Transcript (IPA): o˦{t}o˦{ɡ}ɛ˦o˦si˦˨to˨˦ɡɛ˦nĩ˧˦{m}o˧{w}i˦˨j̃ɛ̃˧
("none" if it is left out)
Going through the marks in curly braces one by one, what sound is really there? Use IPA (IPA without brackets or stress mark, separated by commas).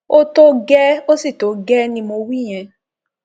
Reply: t, ɡ, m, w